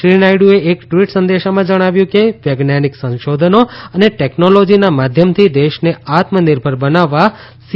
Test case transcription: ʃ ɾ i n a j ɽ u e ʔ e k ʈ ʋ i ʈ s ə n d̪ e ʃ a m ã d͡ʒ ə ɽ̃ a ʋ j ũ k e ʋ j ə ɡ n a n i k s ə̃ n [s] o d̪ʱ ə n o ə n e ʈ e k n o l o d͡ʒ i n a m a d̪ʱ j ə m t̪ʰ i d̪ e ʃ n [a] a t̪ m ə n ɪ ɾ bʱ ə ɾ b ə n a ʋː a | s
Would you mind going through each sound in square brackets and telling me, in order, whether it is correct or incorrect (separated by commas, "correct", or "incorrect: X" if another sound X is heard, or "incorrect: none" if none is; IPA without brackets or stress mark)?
incorrect: ʃ, incorrect: e